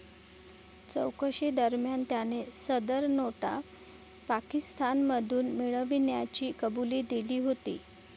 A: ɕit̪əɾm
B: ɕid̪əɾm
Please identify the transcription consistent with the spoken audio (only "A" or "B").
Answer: B